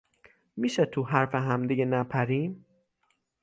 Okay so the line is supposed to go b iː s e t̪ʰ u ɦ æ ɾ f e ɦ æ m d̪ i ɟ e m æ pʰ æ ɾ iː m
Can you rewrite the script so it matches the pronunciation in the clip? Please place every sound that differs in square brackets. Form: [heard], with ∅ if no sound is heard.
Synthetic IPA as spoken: [m] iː [ʃ] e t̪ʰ u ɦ æ ɾ f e ɦ æ m d̪ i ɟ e [n] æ pʰ æ ɾ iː m